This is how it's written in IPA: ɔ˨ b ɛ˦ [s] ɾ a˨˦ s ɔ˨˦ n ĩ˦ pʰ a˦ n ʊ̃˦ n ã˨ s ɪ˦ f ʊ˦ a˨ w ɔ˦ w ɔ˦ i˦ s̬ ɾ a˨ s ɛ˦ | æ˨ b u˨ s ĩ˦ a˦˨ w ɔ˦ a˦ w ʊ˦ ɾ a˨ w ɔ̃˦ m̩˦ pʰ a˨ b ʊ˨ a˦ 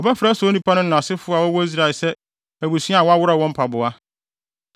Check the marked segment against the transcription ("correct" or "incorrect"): incorrect